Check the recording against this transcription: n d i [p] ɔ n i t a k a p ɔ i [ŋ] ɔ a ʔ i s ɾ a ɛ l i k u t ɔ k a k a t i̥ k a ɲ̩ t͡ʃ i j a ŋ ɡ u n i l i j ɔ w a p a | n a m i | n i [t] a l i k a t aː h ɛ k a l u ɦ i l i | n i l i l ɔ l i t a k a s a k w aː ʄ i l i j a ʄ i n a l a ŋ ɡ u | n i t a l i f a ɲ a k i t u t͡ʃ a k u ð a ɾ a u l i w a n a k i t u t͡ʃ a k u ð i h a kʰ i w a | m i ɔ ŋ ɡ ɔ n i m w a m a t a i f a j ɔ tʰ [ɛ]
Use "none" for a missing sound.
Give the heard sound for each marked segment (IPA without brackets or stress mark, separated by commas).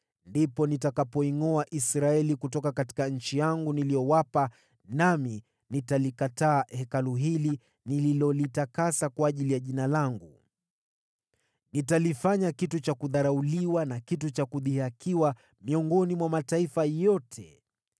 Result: p, ŋ, t, ɛ